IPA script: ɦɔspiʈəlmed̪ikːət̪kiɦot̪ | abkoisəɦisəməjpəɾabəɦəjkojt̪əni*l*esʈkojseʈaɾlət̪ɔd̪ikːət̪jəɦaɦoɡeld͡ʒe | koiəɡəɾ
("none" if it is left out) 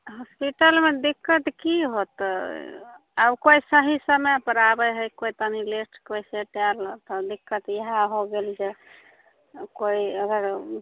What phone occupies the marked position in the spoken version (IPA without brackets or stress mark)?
l